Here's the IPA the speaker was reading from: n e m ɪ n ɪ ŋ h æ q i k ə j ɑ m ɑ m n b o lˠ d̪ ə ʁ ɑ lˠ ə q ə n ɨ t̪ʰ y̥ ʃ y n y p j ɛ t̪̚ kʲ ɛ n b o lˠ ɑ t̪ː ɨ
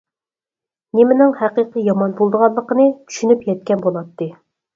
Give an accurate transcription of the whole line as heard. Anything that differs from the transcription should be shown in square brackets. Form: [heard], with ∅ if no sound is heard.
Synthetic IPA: n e m ɪ n ɪ ŋ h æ q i [q] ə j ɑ m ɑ [∅] n b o lˠ d̪ ə ʁ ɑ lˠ ə q ə n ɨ t̪ʰ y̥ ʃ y n y p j ɛ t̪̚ kʲ ɛ n b o lˠ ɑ t̪ː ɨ